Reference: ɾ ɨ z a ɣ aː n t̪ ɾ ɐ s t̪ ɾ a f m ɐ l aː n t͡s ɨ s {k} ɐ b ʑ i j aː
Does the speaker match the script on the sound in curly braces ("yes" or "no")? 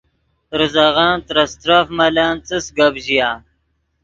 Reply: no